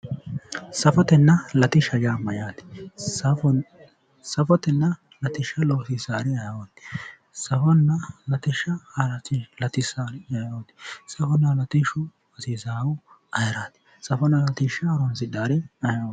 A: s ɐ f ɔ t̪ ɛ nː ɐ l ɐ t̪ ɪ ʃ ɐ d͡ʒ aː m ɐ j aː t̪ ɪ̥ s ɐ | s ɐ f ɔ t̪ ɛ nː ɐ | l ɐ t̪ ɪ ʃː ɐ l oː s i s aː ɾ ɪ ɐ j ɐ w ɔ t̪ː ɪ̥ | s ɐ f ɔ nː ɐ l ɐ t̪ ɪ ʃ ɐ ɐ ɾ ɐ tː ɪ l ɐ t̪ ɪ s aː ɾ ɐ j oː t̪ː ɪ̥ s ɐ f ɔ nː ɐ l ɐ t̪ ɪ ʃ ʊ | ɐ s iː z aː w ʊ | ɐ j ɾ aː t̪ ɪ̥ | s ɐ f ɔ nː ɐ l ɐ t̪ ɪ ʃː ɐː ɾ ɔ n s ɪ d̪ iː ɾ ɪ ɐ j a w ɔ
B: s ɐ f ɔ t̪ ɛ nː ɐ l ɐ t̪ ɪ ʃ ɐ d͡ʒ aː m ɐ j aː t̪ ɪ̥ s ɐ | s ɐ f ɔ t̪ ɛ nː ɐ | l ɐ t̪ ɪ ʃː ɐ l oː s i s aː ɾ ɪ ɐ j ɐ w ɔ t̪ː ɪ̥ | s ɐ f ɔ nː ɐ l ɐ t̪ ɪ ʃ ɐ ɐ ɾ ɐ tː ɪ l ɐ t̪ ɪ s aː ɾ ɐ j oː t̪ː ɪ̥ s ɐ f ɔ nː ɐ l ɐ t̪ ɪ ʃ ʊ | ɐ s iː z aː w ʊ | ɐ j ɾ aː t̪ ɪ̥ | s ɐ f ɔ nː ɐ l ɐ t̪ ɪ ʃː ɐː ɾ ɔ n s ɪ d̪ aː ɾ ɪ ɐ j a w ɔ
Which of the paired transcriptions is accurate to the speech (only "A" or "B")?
B